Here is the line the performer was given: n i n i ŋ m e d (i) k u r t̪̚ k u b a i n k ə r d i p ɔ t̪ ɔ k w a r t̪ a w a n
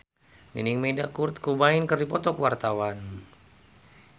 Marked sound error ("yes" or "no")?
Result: yes